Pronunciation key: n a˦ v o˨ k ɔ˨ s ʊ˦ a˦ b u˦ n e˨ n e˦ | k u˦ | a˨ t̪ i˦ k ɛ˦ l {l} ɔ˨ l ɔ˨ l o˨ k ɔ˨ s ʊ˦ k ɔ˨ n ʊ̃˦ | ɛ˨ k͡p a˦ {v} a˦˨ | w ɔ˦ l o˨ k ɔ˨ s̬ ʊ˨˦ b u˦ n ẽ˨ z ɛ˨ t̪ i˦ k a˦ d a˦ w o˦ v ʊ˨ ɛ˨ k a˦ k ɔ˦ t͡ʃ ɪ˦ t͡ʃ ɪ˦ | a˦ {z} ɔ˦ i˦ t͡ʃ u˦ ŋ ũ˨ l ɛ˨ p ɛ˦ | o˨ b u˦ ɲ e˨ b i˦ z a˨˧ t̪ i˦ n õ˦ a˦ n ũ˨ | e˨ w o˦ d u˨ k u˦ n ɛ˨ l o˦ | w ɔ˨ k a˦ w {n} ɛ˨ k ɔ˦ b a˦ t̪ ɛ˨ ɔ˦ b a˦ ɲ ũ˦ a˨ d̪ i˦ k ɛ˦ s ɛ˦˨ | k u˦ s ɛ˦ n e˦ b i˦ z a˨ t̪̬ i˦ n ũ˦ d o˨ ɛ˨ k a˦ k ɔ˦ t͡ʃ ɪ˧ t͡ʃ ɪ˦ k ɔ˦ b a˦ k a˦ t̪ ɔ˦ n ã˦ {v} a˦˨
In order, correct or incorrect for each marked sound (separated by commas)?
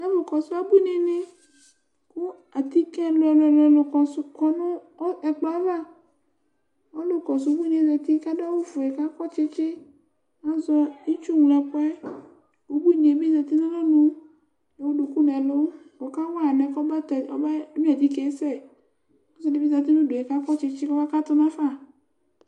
correct, correct, correct, correct, incorrect